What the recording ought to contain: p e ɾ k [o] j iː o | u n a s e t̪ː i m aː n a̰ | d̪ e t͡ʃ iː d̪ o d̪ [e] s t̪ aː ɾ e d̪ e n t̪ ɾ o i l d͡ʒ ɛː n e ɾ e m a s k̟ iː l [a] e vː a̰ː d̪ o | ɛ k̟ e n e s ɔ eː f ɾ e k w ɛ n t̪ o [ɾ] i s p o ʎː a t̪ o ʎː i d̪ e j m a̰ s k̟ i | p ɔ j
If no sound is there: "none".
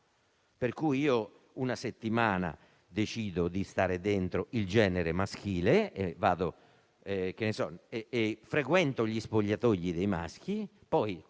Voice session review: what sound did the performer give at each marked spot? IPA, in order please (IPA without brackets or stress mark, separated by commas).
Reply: u, i, e, ʎ